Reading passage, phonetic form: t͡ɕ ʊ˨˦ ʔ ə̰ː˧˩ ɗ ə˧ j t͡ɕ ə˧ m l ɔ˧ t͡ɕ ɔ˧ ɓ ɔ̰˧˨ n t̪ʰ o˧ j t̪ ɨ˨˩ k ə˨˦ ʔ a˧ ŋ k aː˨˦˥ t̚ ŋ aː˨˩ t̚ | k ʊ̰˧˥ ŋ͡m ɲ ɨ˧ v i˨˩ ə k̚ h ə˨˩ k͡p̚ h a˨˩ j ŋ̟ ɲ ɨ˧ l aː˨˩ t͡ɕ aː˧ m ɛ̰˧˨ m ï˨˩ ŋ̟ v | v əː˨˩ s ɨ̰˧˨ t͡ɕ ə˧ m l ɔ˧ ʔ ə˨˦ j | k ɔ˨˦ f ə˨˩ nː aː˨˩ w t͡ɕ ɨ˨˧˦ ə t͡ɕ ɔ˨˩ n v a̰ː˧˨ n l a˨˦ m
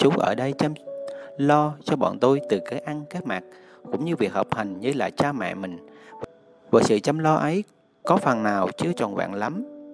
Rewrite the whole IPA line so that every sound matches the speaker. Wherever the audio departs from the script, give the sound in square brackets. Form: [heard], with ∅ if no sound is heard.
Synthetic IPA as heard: t͡ɕ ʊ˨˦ ʔ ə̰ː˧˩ ɗ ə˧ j t͡ɕ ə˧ m l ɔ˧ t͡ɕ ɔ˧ ɓ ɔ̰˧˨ n [t̪] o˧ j t̪ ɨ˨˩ k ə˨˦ ʔ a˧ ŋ k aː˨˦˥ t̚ [m] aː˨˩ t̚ | k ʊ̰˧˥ ŋ͡m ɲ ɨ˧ v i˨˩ ə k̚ h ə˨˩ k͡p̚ h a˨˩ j ŋ̟ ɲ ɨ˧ l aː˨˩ t͡ɕ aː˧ m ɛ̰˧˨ m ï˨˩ ŋ̟ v | v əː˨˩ s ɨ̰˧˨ t͡ɕ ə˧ m l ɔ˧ ʔ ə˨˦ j | k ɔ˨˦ f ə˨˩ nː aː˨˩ w t͡ɕ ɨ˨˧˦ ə t͡ɕ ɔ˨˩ n v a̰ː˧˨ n l a˨˦ m